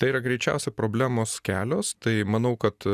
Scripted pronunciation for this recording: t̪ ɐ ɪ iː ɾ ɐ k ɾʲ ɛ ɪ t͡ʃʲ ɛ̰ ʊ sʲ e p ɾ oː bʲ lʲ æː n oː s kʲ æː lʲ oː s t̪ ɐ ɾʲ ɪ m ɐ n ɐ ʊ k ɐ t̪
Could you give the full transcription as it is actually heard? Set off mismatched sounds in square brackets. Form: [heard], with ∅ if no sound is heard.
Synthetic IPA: t̪ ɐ ɪ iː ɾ ɐ [ɡ] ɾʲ ɛ ɪ t͡ʃʲ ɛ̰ ʊ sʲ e p ɾ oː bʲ lʲ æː [m] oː s kʲ æː lʲ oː s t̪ ɐ [∅] ɪ m ɐ n ɐ ʊ k ɐ t̪